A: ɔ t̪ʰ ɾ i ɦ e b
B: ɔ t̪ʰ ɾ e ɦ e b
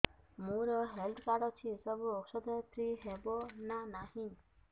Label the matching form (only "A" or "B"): A